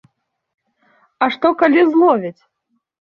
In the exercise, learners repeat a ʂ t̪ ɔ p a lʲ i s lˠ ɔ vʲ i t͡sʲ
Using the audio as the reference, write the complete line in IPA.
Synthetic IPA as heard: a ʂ t̪ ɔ k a lʲ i z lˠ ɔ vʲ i t͡sʲ